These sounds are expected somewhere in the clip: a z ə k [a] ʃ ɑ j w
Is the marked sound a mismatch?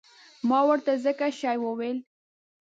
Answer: no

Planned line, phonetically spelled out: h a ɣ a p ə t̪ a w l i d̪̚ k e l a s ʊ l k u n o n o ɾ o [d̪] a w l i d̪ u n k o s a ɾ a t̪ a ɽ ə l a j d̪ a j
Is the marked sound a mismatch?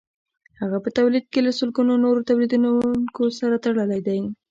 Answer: yes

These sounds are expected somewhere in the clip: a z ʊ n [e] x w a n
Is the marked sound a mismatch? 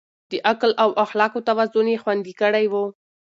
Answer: no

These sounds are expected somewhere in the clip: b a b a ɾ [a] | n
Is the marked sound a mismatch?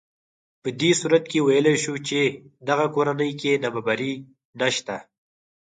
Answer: yes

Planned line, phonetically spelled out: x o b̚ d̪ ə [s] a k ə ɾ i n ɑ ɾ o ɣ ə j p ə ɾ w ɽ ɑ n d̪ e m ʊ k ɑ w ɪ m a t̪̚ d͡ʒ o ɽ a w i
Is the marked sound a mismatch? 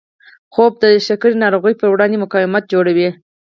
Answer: yes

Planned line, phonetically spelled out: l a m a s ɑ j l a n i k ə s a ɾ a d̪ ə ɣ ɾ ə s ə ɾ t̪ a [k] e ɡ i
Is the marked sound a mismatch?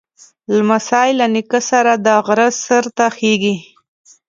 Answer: yes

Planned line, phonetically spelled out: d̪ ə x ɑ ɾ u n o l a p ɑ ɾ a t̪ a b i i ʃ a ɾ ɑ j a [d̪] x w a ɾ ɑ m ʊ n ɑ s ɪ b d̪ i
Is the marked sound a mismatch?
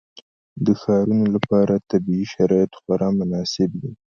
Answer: yes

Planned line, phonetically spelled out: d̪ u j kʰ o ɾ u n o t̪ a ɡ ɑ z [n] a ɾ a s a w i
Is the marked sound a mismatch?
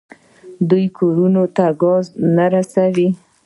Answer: no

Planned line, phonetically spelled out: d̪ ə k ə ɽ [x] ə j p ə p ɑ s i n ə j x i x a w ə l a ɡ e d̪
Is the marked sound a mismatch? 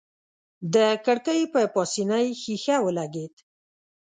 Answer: yes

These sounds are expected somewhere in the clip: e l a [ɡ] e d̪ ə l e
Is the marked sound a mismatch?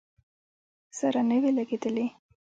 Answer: no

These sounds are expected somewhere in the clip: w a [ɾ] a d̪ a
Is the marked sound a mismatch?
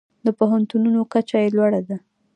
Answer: yes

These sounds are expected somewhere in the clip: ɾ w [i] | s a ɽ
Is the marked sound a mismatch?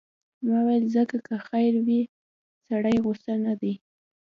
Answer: no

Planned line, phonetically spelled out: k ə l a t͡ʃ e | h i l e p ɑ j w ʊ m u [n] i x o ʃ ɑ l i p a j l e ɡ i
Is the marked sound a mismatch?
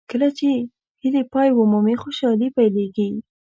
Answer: yes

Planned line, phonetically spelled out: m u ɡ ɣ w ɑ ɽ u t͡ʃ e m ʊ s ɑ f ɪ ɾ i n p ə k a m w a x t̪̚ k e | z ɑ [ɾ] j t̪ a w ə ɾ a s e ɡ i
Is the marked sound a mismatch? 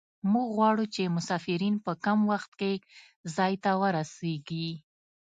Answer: yes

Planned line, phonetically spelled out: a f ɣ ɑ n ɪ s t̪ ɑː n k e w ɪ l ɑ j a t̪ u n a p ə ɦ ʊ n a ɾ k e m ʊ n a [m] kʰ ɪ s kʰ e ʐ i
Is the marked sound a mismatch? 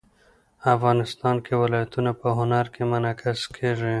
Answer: yes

